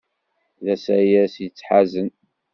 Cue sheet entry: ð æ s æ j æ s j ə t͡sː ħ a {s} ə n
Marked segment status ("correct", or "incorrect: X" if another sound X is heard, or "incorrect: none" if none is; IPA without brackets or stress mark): incorrect: z